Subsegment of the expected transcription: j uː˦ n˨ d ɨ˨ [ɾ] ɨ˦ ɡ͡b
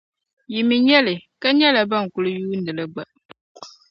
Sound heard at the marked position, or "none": l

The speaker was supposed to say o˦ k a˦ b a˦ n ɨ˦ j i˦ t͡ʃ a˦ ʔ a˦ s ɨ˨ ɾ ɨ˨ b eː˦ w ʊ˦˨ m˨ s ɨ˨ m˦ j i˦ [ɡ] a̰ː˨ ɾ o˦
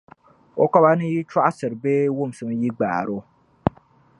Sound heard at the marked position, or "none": ɡ͡b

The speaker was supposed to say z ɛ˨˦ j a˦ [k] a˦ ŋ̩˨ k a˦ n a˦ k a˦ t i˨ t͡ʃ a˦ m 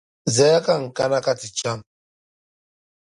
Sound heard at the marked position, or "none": k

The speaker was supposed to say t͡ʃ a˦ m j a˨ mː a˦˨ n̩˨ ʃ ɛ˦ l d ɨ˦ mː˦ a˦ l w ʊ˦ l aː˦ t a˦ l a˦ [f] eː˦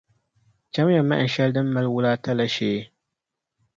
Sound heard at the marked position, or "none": ʃ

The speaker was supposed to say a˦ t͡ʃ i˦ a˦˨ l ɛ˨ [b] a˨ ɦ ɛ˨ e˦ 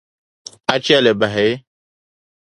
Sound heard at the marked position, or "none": b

